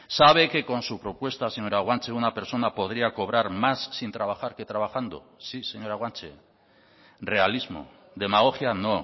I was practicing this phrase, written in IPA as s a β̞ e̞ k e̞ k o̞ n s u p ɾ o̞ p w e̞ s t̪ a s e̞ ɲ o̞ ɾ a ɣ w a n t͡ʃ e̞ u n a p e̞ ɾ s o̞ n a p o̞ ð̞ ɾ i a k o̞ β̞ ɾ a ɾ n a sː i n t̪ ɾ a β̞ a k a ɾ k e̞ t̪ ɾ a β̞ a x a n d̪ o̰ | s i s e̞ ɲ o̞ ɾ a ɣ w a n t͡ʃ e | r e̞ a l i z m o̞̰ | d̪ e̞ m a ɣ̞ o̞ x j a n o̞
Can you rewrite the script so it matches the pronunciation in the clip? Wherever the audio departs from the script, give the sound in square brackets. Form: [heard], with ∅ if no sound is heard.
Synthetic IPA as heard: s a β̞ e̞ k e̞ k o̞ n s u p ɾ o̞ p w e̞ s t̪ a s e̞ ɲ o̞ ɾ a ɣ w a n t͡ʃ e̞ u n a p e̞ ɾ s o̞ n a p o̞ ð̞ ɾ i a k o̞ β̞ ɾ a ɾ [m] a sː i n t̪ ɾ a β̞ a [x] a ɾ k e̞ t̪ ɾ a β̞ a x a n d̪ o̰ | s i s e̞ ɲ o̞ ɾ a ɣ w a n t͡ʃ e | r e̞ a l i z m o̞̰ | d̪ e̞ m a ɣ̞ o̞ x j a n o̞

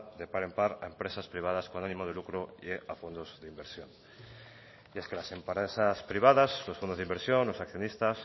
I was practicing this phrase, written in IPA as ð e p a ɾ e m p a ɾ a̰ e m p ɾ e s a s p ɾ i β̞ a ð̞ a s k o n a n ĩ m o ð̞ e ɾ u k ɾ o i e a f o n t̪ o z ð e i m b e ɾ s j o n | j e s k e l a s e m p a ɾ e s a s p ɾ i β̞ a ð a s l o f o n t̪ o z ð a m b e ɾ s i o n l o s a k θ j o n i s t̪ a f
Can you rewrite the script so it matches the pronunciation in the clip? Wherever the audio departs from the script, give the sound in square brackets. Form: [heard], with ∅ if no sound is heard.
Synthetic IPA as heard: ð e p a ɾ e m p a ɾ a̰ e m p ɾ e s a s p ɾ i β̞ a ð̞ a s k o n a n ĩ m o ð̞ e [l] u k ɾ o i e a f o n [d̪] o z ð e i m b e ɾ s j o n | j e s k e l a s e m p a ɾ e s a s p ɾ i β̞ a ð a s l o f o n [d̪] o z ð [i] m b e ɾ s [j] o n l o s a k θ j o n i s t̪ a [s]

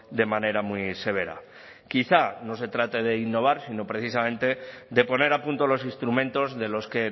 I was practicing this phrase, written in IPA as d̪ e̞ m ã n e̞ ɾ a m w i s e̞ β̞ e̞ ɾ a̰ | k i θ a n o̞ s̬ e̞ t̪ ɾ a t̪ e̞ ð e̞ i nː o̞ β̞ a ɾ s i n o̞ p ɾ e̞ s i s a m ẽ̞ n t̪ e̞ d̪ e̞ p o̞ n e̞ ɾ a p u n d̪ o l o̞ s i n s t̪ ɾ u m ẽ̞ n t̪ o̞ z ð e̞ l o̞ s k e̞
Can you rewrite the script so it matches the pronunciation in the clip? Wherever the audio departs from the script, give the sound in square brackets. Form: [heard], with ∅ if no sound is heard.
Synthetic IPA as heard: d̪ e̞ m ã n e̞ ɾ a m w i s e̞ β̞ e̞ ɾ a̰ | k i θ a n o̞ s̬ e̞ t̪ ɾ a t̪ e̞ ð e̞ i nː o̞ β̞ a ɾ s i n o̞ p ɾ e̞ [θ] i s a m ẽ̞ n t̪ e̞ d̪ e̞ p o̞ n e̞ ɾ a p u n [t̪] o l o̞ s i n s t̪ ɾ u m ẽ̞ n t̪ o̞ z ð e̞ l o̞ s k e̞

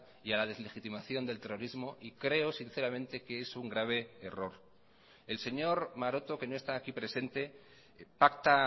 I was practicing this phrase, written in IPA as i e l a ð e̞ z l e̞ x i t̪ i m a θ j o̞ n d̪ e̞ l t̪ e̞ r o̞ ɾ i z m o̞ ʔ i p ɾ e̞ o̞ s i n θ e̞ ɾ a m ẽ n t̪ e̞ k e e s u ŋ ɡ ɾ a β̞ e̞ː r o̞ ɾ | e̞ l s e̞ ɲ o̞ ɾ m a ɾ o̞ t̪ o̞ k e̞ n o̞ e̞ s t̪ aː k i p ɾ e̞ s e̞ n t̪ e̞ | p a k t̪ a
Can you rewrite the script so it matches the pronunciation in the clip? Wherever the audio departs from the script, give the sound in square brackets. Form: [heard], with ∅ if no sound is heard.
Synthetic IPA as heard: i [a] l a ð e̞ z l e̞ x i t̪ i m a θ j o̞ n d̪ e̞ l t̪ e̞ r o̞ ɾ i z m o̞ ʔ i [k] ɾ e̞ o̞ s i n θ e̞ ɾ a m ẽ n t̪ e̞ k e e s u ŋ ɡ ɾ a β̞ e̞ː r o̞ ɾ | e̞ l s e̞ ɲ o̞ ɾ m a ɾ o̞ t̪ o̞ k e̞ n o̞ e̞ s t̪ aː k i p ɾ e̞ s e̞ n t̪ e̞ | p a k t̪ a

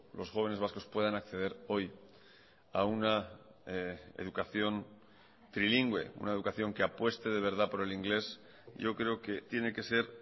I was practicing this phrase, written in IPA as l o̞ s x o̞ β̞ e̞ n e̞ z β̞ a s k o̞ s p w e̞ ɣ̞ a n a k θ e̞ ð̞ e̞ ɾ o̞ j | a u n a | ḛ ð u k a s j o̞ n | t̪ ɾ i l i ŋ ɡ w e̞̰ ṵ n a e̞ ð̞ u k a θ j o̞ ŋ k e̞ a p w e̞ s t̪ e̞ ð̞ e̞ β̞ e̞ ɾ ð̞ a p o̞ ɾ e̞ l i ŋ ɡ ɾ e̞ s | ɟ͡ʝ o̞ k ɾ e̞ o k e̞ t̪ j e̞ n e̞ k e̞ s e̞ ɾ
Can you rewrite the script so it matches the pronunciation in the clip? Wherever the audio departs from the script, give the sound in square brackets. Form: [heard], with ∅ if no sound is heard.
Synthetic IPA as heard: l o̞ s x o̞ β̞ e̞ n e̞ z β̞ a s k o̞ s p w e̞ [ð̞] a n a k θ e̞ ð̞ e̞ ɾ o̞ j | a u n a | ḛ ð u k a [θ] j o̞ n | t̪ ɾ i l i ŋ ɡ w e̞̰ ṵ n a e̞ ð̞ u k a θ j o̞ ŋ k e̞ a p w e̞ s t̪ e̞ ð̞ e̞ β̞ e̞ ɾ ð̞ a p o̞ ɾ e̞ l i ŋ ɡ [l] e̞ s | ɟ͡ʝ o̞ k ɾ e̞ o k e̞ t̪ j e̞ n e̞ k e̞ s e̞ ɾ

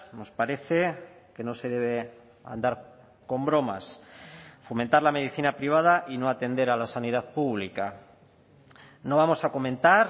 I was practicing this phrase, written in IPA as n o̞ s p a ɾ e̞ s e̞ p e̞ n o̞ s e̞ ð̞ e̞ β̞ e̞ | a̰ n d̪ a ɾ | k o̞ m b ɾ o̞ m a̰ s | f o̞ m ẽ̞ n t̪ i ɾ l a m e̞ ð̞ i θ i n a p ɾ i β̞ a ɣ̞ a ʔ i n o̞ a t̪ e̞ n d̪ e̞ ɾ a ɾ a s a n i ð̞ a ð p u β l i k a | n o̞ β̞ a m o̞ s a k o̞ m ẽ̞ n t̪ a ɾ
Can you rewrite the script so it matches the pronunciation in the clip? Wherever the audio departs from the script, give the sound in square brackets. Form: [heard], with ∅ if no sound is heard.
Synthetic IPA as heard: n o̞ s p a ɾ e̞ [θ] e̞ [k] e̞ n o̞ s e̞ ð̞ e̞ β̞ e̞ | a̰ n d̪ a ɾ | k o̞ m b ɾ o̞ m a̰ s | f o̞ m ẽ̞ n t̪ [a] ɾ l a m e̞ ð̞ i θ i n a p ɾ i β̞ a [ð̞] a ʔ i n o̞ a t̪ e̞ n d̪ e̞ ɾ a [l] a s a n i ð̞ a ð p u β l i k a | n o̞ β̞ a m o̞ s a k o̞ m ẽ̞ n t̪ a ɾ

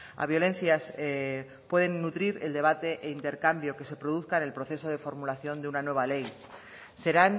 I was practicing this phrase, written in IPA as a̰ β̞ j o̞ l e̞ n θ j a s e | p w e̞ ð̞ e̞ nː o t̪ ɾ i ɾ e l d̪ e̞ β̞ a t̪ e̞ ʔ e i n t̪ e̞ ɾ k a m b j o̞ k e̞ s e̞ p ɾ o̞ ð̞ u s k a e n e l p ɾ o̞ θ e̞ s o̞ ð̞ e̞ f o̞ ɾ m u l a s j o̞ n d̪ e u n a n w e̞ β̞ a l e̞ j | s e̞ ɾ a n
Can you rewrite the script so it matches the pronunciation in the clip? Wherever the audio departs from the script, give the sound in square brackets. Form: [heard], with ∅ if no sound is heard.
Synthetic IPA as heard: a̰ β̞ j o̞ l e̞ n θ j a s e | p w e̞ ð̞ e̞ nː [u] t̪ ɾ i ɾ e l d̪ e̞ β̞ a t̪ e̞ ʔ e i n t̪ e̞ ɾ k a m b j o̞ k e̞ s e̞ p ɾ o̞ ð̞ u [θ] k a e n e l p ɾ o̞ θ e̞ s o̞ ð̞ e̞ f o̞ ɾ m u l a [θ] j o̞ n d̪ e u n a n w e̞ β̞ a l e̞ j | s e̞ ɾ a n

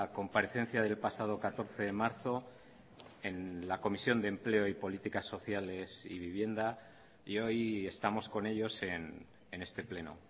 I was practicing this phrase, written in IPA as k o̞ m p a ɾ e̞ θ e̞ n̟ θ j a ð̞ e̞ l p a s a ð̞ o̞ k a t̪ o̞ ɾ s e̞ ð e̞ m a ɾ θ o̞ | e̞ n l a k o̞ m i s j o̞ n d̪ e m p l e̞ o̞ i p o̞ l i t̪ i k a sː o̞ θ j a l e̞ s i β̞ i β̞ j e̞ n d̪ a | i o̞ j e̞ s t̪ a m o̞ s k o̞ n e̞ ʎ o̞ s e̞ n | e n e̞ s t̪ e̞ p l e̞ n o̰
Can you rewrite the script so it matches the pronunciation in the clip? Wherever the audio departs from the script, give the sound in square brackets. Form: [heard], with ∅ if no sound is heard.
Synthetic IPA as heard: k o̞ m p a ɾ e̞ θ e̞ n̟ θ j a ð̞ e̞ l p a s a ð̞ o̞ k a t̪ o̞ ɾ [θ] e̞ ð e̞ m a ɾ θ o̞ | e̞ n l a k o̞ m i s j o̞ n d̪ e m p l e̞ o̞ i p o̞ l i t̪ i k a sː o̞ θ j a l e̞ s i β̞ i β̞ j e̞ n d̪ a | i o̞ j e̞ s t̪ a m o̞ s k o̞ n e̞ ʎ o̞ s e̞ n | e n e̞ s t̪ e̞ p l e̞ n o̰

